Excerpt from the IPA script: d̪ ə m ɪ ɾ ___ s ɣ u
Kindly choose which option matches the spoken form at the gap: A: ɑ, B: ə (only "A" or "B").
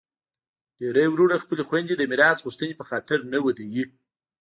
A